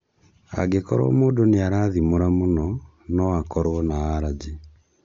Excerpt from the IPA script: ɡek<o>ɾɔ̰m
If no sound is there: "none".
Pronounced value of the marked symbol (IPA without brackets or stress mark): ɔ